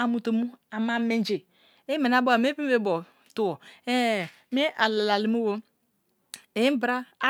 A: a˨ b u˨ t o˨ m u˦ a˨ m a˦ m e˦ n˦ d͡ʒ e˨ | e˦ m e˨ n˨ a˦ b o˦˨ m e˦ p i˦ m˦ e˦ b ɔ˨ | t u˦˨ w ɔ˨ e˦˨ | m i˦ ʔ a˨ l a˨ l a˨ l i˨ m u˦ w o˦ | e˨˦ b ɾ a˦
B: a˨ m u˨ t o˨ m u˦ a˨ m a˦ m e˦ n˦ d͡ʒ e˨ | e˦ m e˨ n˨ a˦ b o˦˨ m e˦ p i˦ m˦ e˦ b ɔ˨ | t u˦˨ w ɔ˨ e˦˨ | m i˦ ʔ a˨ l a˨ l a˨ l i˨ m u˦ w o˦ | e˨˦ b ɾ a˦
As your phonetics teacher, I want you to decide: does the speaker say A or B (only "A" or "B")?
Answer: B